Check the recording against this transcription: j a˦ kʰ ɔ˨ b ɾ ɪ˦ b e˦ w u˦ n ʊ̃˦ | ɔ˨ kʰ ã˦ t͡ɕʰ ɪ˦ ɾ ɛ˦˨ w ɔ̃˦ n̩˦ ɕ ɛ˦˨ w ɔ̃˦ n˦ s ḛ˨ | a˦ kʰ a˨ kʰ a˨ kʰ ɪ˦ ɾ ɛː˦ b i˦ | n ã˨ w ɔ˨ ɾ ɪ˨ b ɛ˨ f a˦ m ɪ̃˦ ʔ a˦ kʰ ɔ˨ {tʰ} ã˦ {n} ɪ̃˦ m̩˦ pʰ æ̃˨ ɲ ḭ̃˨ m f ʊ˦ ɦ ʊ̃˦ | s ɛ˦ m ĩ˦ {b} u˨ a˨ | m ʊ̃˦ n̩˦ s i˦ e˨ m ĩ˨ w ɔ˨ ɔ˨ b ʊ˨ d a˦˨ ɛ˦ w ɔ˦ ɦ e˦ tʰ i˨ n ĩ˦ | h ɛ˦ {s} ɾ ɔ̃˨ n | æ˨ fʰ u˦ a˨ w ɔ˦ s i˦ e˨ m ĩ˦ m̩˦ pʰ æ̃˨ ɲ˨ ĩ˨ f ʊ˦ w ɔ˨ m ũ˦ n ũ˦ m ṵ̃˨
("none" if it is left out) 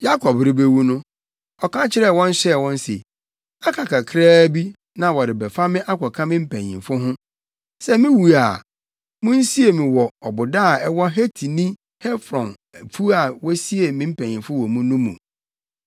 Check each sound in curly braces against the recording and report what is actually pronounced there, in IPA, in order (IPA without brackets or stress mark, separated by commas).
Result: kʰ, m, w, f